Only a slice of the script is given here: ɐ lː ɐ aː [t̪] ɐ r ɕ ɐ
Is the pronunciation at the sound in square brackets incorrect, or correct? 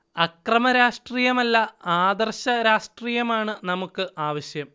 incorrect